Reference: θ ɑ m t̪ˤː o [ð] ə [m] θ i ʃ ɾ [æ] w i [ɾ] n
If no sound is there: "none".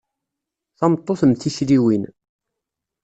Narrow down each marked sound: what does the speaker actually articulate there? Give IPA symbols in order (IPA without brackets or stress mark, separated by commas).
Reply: θ, m, i, none